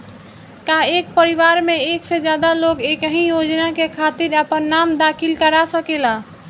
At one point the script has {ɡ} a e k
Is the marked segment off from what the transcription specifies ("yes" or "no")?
yes